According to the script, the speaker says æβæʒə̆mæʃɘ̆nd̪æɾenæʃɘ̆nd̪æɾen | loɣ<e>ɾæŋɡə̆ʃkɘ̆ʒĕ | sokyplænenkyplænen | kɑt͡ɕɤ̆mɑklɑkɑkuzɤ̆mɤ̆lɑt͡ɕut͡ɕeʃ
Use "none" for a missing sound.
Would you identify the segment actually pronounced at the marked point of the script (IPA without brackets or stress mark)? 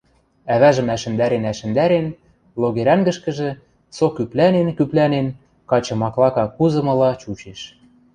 e